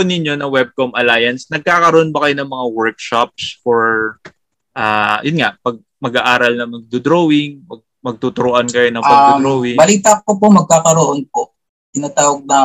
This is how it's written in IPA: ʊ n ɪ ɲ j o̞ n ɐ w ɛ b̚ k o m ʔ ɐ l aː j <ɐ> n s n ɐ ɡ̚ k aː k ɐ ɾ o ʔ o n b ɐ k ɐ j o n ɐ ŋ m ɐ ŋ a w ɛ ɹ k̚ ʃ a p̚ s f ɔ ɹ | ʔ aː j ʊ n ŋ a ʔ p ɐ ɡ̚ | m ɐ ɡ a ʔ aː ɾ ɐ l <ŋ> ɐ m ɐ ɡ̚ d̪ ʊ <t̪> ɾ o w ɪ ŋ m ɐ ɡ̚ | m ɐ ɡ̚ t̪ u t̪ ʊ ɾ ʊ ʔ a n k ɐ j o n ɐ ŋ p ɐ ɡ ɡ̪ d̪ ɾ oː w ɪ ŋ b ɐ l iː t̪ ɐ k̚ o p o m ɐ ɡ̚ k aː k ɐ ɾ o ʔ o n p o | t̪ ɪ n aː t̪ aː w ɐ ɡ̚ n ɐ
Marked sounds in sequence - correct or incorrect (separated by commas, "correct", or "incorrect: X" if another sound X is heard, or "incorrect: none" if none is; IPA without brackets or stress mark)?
correct, incorrect: n, incorrect: d̪